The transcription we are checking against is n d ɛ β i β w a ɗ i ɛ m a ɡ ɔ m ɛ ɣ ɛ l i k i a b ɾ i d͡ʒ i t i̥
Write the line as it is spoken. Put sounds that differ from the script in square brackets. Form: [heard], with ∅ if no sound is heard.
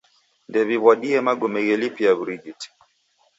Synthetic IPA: n d ɛ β i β w a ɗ i ɛ m a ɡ ɔ m ɛ ɣ ɛ l i [p] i a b ɾ i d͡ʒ i t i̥